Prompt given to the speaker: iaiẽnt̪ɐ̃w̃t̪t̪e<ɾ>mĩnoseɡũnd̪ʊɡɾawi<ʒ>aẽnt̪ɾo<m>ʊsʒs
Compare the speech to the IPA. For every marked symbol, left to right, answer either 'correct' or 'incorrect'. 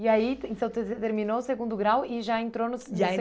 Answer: correct, correct, incorrect: n

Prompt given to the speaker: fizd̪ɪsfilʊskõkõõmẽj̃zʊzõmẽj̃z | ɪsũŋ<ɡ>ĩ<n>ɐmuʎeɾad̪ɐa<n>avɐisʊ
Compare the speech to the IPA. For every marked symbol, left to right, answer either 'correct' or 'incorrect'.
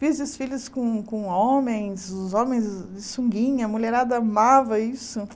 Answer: correct, incorrect: ɲ, incorrect: m

